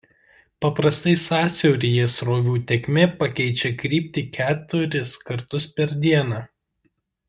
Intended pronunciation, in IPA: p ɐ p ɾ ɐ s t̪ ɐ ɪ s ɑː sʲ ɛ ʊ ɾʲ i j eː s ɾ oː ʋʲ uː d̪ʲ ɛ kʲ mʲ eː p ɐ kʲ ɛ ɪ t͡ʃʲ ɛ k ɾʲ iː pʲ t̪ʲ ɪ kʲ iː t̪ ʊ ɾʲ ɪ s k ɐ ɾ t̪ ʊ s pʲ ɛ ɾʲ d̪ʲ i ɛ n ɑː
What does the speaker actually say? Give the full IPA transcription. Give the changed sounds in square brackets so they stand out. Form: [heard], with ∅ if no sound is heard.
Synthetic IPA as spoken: p ɐ p ɾ ɐ s t̪ ɐ ɪ s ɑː sʲ ɛ ʊ ɾʲ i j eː s ɾ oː ʋʲ uː [t̪ʲ] ɛ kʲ mʲ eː p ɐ kʲ ɛ ɪ t͡ʃʲ ɛ k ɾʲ iː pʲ t̪ʲ ɪ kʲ [æː] t̪ ʊ ɾʲ ɪ s k ɐ ɾ t̪ ʊ s pʲ ɛ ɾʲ d̪ʲ i ɛ n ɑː